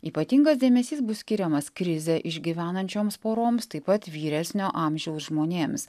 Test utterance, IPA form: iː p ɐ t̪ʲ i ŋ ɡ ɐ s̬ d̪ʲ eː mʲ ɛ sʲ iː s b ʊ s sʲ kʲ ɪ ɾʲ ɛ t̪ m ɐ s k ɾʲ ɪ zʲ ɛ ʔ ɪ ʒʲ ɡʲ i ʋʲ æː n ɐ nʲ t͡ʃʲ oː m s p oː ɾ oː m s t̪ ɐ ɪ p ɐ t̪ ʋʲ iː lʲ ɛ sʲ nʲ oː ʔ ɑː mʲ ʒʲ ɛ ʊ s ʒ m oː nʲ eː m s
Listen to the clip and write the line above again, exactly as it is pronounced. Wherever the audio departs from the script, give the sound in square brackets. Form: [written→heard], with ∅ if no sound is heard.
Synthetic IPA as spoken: iː p ɐ t̪ʲ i ŋ ɡ ɐ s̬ d̪ʲ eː mʲ ɛ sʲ iː s b ʊ s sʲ kʲ ɪ ɾʲ ɛ [t̪→∅] m ɐ s k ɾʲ ɪ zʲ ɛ ʔ ɪ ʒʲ ɡʲ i ʋʲ æː n ɐ nʲ t͡ʃʲ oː m s p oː ɾ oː m s t̪ ɐ ɪ p ɐ t̪ ʋʲ iː [lʲ→ɾʲ] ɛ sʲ nʲ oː ʔ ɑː mʲ ʒʲ ɛ ʊ s ʒ m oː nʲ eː m s